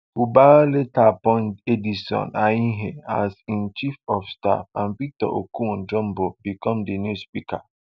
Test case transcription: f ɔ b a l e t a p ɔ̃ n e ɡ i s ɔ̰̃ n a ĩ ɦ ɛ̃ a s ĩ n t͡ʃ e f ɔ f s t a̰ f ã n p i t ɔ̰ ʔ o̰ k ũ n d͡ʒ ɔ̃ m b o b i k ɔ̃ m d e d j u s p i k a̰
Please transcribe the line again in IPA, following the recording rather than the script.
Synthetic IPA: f u b a l e t a p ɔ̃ n e d i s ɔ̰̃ n a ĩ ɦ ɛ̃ a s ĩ n t͡ʃ i f ɔ f s t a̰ f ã n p i t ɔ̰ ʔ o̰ k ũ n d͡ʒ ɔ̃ m b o b i k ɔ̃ m d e n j u s p i k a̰